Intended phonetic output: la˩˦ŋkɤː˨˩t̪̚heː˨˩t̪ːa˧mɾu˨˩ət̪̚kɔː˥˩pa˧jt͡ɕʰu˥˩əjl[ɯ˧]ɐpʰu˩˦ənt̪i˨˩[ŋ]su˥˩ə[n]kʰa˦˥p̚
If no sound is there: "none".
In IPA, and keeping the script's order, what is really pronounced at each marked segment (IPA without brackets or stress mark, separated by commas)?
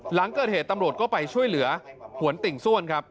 ɯ˩˦, ŋ, n